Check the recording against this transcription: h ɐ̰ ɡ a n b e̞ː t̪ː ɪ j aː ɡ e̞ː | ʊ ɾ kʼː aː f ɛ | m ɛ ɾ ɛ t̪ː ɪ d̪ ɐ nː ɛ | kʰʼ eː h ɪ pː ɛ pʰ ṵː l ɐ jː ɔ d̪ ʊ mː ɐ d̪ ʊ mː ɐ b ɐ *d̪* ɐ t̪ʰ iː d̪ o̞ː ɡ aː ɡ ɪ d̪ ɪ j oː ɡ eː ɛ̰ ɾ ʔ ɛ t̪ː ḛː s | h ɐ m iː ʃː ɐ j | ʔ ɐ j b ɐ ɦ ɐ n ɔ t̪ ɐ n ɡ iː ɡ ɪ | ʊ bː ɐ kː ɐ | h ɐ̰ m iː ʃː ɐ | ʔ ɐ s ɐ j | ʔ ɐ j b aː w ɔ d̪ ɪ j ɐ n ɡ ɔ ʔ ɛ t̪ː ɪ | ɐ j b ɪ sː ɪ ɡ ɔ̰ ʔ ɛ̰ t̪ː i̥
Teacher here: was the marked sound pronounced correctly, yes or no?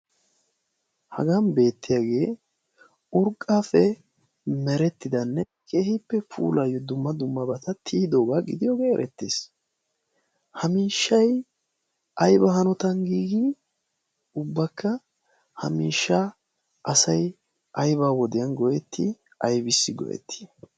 no